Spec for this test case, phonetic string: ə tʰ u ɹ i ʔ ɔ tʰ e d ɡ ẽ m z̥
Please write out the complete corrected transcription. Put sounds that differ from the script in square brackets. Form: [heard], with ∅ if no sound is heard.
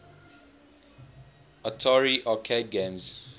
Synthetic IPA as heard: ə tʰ [ɔ] ɹ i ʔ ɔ [kʰ] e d ɡ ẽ m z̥